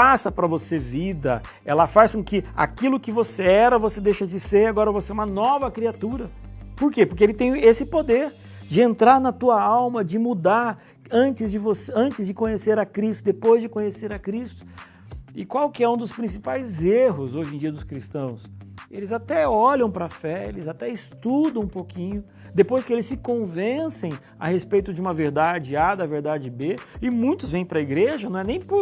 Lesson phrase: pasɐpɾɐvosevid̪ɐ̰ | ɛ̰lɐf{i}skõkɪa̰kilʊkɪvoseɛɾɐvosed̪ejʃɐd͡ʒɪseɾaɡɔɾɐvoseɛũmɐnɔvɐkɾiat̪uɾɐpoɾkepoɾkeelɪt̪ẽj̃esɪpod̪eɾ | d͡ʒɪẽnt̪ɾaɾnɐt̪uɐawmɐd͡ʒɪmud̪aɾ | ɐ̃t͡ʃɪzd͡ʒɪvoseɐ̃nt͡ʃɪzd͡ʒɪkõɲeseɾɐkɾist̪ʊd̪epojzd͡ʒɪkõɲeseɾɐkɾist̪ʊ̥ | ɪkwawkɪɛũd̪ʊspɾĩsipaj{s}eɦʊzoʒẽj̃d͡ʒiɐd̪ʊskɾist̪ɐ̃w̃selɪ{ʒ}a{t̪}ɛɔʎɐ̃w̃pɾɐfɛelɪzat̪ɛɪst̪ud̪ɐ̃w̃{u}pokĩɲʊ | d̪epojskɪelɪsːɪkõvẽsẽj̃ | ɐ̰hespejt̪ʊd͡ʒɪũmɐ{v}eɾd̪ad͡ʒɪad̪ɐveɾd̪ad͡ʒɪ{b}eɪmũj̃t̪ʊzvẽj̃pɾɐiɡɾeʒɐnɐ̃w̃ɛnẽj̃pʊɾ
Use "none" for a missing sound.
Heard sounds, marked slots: a, z, z, t̪, ũ, v, b

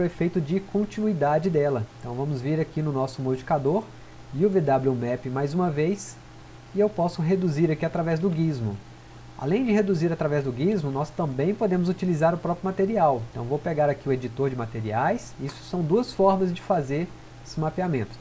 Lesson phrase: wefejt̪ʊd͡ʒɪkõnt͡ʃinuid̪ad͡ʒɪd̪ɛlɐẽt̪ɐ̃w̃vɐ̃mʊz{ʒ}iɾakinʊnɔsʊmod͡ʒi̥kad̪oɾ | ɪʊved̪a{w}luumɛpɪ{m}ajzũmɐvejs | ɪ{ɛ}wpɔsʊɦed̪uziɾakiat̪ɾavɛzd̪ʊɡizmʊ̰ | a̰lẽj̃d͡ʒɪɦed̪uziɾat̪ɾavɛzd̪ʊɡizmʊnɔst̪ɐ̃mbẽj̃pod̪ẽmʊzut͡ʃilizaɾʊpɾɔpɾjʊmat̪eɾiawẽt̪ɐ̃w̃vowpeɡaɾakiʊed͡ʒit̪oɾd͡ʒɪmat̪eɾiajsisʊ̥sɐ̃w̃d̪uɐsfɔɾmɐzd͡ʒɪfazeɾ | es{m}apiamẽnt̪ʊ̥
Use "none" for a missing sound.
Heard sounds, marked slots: v, b, m, e, m

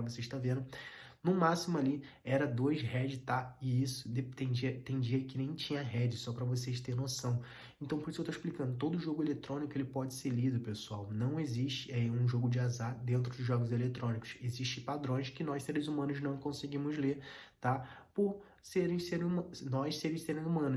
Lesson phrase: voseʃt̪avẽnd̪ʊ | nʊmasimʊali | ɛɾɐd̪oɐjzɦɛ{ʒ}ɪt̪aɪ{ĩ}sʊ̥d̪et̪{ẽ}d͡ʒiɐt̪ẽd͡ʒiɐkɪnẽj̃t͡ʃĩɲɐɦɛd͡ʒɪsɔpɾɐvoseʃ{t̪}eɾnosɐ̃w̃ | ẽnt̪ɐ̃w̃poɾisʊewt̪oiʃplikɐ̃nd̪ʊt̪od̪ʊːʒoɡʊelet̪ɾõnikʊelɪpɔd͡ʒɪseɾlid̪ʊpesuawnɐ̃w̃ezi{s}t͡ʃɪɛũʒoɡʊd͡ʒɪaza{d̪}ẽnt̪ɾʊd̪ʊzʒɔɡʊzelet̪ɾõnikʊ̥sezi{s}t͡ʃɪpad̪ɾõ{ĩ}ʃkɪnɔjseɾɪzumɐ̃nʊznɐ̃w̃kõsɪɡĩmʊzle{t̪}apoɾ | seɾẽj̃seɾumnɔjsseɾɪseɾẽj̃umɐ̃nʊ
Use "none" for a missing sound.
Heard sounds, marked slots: d͡ʒ, i, ẽ, t̪, ʃ, d̪, ʃ, j̃, t̪

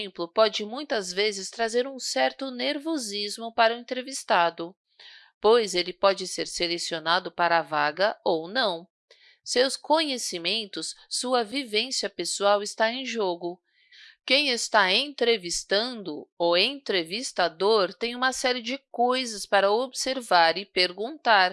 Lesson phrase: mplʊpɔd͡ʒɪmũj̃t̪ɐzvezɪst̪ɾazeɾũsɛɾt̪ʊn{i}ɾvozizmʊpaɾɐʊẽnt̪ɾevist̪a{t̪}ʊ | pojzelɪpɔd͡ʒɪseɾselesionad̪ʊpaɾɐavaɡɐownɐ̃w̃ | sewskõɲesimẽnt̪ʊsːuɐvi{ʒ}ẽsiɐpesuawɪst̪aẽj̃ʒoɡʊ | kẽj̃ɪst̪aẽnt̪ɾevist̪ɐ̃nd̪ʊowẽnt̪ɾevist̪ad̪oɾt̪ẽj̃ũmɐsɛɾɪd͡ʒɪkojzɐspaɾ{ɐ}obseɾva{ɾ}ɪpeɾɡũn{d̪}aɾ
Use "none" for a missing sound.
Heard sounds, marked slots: e, d̪, v, ɐ, ɾ, t̪

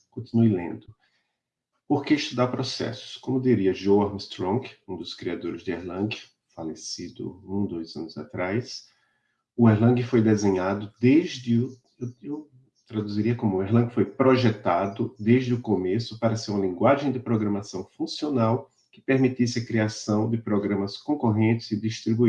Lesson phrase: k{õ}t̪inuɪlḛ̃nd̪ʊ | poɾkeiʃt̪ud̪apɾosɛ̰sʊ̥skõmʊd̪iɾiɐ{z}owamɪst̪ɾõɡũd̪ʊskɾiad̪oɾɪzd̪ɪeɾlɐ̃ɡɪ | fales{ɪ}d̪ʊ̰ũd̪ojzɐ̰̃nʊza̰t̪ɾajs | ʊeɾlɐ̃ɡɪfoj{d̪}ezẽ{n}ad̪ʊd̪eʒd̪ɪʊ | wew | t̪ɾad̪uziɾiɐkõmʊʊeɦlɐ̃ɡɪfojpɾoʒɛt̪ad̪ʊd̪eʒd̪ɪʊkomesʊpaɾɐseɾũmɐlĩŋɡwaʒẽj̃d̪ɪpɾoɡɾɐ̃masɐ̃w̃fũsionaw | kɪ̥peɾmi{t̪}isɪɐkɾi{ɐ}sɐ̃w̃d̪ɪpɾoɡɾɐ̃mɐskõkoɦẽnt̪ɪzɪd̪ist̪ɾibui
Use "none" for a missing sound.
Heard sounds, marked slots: õ, ʒ, i, d̪, ɲ, t̪, a

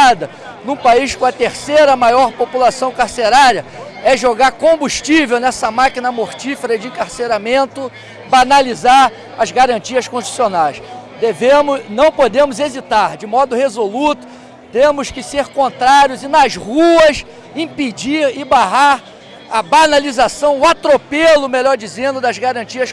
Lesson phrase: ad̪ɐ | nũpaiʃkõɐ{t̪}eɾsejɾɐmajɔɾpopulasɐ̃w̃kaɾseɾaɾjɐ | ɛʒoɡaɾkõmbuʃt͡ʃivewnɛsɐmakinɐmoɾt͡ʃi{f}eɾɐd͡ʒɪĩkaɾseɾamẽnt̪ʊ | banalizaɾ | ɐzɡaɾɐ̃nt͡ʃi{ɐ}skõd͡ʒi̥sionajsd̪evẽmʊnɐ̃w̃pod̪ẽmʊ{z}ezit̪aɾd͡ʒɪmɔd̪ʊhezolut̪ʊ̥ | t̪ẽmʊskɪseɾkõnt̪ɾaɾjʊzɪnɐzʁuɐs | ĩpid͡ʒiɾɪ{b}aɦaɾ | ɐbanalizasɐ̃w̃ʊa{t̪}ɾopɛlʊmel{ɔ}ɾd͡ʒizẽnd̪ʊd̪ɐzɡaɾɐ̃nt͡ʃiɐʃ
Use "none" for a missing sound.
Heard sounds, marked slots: t̪, f, ɐ, z, b, t̪, ɔ

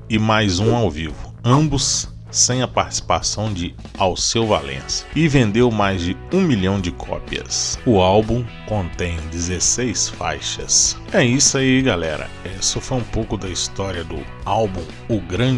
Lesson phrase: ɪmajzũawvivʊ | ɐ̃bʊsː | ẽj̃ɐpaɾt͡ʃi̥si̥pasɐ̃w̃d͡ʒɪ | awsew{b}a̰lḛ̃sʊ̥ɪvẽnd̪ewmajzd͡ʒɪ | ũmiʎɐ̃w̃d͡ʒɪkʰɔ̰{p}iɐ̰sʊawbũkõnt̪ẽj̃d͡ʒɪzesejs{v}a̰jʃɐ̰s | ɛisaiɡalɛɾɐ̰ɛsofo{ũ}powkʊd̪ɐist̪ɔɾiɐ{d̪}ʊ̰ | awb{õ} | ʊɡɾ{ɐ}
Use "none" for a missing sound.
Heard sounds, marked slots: v, p, f, ũ, d̪, ũ, ɐ̃

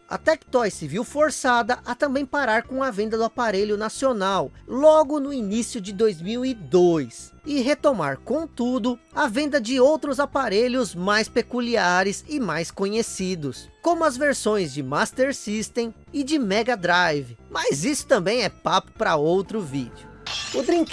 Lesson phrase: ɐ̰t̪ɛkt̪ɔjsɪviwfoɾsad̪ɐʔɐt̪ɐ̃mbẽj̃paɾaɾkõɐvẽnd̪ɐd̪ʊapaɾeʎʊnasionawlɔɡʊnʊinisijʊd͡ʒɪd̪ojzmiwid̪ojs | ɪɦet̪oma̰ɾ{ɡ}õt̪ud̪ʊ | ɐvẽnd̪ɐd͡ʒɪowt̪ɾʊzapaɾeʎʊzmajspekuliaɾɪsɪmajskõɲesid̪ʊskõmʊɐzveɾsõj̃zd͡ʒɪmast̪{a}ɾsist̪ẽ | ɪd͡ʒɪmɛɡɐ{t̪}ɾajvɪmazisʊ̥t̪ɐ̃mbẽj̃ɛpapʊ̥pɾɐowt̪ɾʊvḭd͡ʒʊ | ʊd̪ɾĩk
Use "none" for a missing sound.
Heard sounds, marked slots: k, e, d̪

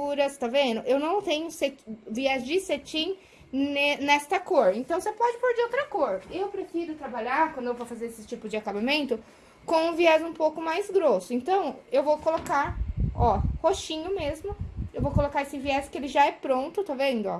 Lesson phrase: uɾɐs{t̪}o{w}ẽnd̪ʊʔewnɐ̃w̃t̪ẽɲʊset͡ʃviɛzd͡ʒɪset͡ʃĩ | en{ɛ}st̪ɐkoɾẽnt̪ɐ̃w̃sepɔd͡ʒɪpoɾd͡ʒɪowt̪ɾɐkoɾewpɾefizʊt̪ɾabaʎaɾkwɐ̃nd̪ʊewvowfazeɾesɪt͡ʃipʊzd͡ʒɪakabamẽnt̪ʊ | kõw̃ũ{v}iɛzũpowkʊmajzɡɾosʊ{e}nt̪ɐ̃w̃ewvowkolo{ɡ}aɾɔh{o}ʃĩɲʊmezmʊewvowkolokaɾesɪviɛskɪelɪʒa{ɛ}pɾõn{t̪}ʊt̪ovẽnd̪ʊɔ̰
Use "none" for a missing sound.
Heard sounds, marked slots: t̪, v, ɛ, v, ẽ, k, o, ɛ, t̪

